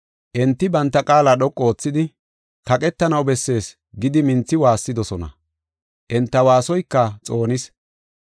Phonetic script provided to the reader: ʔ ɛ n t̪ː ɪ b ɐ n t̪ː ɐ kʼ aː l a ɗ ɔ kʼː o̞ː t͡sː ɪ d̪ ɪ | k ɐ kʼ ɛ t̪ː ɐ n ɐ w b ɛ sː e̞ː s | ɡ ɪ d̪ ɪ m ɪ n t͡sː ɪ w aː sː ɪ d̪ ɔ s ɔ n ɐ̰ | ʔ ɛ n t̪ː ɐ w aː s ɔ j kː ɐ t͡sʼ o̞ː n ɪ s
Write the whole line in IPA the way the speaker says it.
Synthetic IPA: ʔ ɛ n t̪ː ɪ b ɐ n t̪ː ɐ kʼ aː l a ɗ ɔ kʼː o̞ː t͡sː ɪ d̪ ɪ | k ɐ kʼ ɛ t̪ː ɐ n ɐ w b ɛ sː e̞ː s | ɡ ɪ d̪ ɪ m ɪ n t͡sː ɪ w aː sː ɪ d̪ ɔ s ɔ n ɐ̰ | ʔ ɛ n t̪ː ɐ w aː s ɔ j kː ɐ t͡sʼ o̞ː n ɪ s